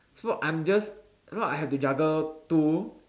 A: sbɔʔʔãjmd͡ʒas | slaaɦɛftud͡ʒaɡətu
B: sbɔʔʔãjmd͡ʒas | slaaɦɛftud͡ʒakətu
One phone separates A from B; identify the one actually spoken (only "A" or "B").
A